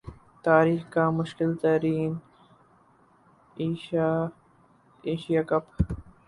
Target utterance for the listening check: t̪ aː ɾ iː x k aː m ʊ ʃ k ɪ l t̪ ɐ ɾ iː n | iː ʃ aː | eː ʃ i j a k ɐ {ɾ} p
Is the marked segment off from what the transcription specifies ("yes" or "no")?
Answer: yes